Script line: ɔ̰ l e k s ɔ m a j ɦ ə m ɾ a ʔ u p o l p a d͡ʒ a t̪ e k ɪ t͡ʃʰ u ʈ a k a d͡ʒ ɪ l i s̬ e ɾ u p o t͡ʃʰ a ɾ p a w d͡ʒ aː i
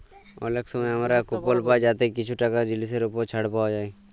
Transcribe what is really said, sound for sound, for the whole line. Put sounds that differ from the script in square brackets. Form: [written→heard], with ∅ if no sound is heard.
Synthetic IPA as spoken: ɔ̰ l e k s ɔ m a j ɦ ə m ɾ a [ʔ→k] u p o l p a d͡ʒ a t̪ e k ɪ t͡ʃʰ u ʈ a k a d͡ʒ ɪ l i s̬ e ɾ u p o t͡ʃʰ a [ɾ→ɽ] p a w d͡ʒ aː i